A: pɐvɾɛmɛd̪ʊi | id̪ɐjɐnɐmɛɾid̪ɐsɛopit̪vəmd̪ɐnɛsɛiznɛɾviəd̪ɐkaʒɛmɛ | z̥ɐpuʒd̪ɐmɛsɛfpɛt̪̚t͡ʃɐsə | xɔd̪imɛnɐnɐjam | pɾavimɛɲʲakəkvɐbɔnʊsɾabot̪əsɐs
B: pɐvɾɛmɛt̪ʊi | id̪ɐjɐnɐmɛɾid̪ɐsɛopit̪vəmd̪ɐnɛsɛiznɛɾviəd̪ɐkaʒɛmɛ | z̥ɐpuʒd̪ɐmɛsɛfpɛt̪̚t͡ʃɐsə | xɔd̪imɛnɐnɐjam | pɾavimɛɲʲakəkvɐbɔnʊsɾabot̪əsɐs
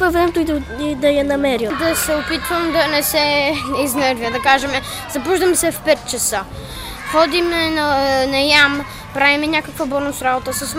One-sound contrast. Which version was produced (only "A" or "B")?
B